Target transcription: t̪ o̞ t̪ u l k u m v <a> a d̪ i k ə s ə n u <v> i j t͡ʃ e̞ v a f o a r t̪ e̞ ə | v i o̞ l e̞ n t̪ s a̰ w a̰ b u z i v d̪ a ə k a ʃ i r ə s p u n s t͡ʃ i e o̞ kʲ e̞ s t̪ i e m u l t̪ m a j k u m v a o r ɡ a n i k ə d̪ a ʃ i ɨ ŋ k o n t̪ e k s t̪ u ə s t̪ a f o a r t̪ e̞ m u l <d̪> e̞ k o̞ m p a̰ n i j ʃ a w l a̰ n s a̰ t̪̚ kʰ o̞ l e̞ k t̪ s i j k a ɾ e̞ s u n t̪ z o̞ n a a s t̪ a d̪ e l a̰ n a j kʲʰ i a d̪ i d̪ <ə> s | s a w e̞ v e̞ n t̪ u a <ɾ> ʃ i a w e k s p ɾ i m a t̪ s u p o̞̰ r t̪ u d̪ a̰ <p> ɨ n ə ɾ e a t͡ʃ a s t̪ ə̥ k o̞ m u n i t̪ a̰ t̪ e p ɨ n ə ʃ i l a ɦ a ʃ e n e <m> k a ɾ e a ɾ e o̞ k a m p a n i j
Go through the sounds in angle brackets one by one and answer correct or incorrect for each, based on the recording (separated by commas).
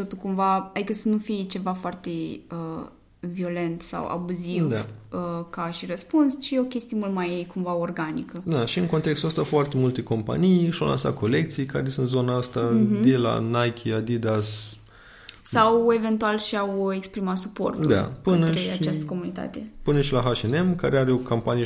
correct, incorrect, incorrect, incorrect, incorrect, correct, correct